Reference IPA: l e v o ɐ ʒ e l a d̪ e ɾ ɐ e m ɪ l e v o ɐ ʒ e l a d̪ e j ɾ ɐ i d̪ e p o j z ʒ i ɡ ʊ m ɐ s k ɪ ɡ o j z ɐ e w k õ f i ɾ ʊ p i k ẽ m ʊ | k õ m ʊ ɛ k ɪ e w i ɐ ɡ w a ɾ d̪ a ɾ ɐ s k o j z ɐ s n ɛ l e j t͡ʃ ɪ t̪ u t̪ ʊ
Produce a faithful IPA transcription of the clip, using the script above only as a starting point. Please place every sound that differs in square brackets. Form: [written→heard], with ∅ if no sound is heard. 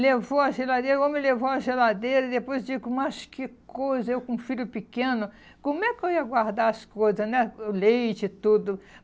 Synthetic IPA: l e v o ɐ ʒ e l a d̪ e ɾ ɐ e m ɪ l e v o ɐ ʒ e l a d̪ e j ɾ ɐ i d̪ e p o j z [ʒ→d͡ʒ] i ɡ ʊ m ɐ s k ɪ [ɡ→k] o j z ɐ e w k õ f i ɾ ʊ p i k ẽ [m→n] ʊ | k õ m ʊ ɛ k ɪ e w i ɐ ɡ w a ɾ d̪ a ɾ ɐ s k o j z ɐ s n ɛ l e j t͡ʃ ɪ t̪ u [t̪→d̪] ʊ